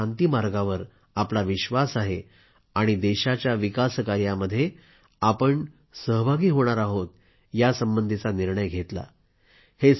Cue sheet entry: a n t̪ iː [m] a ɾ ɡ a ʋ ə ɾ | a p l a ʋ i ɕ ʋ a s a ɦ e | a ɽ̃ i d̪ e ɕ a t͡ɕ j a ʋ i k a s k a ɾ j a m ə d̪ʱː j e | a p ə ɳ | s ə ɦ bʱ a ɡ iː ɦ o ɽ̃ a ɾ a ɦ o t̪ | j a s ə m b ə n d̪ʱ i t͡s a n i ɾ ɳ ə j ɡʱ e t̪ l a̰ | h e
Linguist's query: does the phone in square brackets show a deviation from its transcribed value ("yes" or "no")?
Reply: no